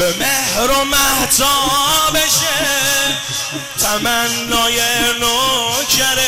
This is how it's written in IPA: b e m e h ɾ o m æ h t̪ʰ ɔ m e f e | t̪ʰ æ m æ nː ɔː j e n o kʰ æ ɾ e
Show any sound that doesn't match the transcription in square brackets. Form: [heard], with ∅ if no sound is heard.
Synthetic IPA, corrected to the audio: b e m e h ɾ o m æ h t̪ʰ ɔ [b] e [ʃ] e | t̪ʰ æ m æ nː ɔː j e n o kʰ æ ɾ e